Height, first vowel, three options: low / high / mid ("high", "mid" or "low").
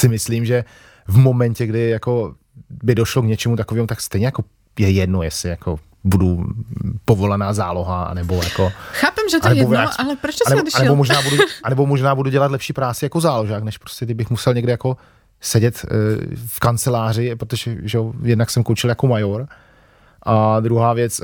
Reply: high